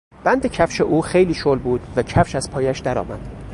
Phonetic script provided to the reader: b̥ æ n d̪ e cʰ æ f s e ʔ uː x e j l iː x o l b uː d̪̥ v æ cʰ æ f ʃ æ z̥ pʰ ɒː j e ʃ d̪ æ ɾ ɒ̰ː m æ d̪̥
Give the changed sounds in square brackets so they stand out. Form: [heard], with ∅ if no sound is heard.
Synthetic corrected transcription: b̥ æ n d̪ e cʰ æ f [ʃ] e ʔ uː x e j l iː [ʃ] o l b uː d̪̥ v æ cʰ æ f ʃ æ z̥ pʰ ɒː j [æ] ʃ d̪ æ ɾ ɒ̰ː m æ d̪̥